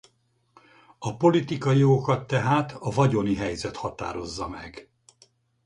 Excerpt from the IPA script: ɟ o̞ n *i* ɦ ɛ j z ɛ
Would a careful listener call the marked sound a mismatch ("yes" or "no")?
no